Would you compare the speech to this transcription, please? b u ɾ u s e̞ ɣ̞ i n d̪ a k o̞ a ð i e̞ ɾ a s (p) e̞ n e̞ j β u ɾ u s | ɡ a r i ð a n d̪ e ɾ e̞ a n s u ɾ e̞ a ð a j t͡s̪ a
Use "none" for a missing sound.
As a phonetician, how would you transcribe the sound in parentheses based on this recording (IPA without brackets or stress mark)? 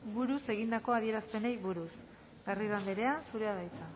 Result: p